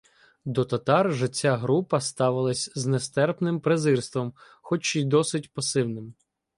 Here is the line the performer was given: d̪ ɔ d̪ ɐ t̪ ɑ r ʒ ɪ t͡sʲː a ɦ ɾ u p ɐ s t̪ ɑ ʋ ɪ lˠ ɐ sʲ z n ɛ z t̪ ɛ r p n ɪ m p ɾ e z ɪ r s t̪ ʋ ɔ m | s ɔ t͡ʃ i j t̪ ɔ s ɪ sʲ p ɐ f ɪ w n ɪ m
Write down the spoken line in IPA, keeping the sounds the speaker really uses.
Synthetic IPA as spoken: d̪ ɔ t̪ ɐ t̪ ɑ r ʒ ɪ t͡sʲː a ɦ ɾ u p ɐ s t̪ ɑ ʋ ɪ lˠ ɐ sʲ z n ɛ s t̪ ɛ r p n ɪ m p ɾ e z ɪ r s t̪ ʋ ɔ m | x ɔ t͡ʃ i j d̪ ɔ s ɪ tʲ p ɐ s ɪ w n ɪ m